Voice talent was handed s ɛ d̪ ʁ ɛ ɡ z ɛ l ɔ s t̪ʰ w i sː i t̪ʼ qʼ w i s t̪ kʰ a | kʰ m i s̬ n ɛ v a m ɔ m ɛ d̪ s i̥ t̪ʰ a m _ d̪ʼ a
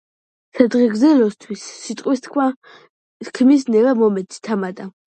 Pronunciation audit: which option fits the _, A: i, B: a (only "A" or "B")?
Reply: B